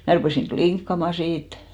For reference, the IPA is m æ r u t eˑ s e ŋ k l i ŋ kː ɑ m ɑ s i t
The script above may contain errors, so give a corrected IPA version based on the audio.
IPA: m æ r u p eˑ s i ŋ k l i ŋ kː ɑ m ɑ s iː t